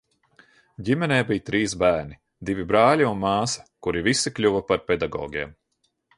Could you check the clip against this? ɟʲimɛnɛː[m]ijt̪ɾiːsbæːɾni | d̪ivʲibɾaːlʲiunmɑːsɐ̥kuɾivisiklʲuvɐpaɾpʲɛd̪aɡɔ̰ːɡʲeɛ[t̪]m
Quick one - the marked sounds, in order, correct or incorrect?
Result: incorrect, incorrect

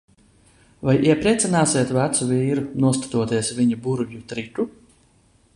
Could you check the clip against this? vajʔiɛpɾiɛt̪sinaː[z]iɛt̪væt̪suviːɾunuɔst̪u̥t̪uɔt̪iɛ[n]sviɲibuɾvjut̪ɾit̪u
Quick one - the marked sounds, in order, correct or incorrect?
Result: incorrect, incorrect

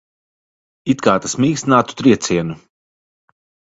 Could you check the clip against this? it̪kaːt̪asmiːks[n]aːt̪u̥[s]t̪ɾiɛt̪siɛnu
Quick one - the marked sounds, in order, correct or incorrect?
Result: correct, incorrect

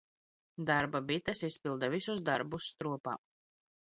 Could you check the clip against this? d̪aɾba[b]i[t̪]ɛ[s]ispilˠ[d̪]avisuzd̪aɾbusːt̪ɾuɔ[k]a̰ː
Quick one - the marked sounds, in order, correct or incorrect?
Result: correct, correct, correct, correct, incorrect

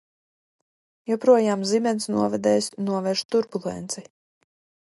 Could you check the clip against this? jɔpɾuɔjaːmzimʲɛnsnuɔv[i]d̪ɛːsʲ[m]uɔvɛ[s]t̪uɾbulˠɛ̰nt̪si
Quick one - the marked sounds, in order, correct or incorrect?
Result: incorrect, incorrect, incorrect

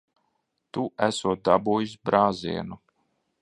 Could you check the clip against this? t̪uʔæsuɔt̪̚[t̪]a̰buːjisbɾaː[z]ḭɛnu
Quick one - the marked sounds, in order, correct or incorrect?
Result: incorrect, correct

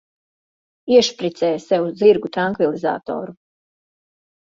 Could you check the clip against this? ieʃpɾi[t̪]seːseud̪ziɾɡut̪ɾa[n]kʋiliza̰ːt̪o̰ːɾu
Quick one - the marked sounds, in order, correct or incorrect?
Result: correct, incorrect

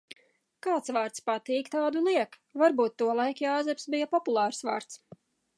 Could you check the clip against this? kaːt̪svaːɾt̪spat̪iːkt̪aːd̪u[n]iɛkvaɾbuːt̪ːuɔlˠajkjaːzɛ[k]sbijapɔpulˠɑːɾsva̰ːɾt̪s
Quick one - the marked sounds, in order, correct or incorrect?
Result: correct, incorrect

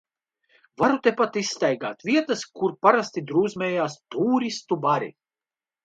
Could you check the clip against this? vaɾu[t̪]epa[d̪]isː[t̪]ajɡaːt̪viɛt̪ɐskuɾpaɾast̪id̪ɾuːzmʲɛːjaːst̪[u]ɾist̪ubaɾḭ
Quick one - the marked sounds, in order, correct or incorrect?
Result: correct, incorrect, correct, incorrect

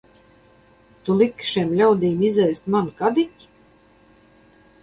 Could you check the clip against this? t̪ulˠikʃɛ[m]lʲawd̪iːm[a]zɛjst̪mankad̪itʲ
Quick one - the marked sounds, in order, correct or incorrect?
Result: correct, incorrect

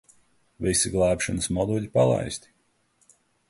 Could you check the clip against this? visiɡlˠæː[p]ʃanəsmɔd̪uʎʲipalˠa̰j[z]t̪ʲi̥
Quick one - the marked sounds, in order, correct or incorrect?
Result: correct, incorrect

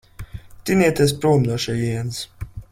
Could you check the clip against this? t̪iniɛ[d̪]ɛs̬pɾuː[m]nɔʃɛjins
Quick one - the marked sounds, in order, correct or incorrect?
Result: incorrect, correct

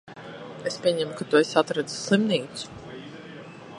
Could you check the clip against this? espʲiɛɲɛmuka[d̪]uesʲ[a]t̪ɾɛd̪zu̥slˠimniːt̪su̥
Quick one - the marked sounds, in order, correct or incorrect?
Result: incorrect, correct

